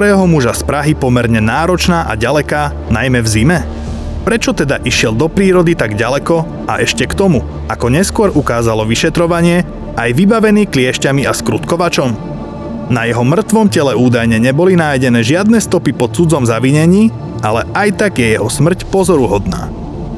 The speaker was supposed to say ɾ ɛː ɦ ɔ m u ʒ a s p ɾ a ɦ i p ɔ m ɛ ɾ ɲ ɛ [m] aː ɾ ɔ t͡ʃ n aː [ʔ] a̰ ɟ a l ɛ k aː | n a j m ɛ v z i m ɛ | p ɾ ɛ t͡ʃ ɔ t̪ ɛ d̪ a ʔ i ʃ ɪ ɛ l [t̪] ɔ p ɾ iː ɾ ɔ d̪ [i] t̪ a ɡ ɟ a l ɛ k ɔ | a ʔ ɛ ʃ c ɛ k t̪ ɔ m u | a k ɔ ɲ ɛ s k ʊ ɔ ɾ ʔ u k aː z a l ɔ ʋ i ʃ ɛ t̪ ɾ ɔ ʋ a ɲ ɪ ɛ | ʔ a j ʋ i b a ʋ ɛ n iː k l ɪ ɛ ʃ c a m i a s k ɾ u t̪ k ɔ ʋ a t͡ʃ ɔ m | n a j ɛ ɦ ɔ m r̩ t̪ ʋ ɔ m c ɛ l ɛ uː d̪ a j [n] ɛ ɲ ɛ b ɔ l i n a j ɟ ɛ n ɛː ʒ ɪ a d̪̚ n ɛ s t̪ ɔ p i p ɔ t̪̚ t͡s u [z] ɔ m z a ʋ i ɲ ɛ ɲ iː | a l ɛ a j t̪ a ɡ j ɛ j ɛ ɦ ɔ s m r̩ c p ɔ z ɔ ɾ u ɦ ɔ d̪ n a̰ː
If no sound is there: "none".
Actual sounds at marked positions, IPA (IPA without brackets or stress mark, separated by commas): n, ʔ, d̪, i, ɲ, d͡z